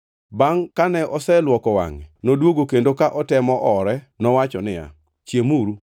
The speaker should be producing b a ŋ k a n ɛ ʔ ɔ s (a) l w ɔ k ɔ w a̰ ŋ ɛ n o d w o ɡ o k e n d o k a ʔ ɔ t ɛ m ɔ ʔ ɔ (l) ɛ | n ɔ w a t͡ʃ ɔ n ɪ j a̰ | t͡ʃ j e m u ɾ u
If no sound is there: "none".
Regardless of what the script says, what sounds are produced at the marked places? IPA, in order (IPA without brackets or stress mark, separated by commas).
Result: ɛ, ɾ